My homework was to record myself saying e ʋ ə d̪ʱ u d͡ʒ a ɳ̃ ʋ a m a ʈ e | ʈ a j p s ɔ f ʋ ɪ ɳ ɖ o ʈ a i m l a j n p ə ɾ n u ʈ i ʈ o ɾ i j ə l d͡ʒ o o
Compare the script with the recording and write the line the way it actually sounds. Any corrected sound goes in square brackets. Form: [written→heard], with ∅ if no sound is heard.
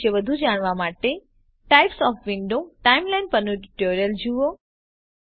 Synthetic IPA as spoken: e ʋ ə d̪ʱ u d͡ʒ a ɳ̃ ʋ a m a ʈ e | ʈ a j p s ɔ f ʋ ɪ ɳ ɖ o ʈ a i m l a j n p ə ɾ n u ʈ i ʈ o ɾ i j ə l d͡ʒ [o→u] o